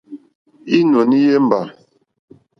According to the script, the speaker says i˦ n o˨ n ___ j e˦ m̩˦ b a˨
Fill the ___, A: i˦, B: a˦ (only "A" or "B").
A